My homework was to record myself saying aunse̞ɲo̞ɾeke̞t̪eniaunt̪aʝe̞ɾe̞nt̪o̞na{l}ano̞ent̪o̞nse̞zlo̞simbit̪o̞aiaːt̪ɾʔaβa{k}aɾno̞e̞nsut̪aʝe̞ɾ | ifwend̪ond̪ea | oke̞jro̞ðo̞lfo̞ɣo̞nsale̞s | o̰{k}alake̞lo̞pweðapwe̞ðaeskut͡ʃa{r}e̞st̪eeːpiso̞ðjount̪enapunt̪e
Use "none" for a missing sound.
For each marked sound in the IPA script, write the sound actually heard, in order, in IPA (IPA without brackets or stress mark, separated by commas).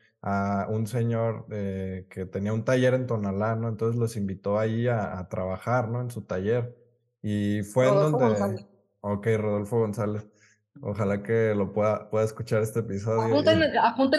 l, x, x, ɾ